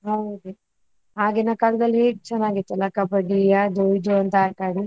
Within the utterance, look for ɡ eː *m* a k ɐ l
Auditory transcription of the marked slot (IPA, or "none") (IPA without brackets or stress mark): n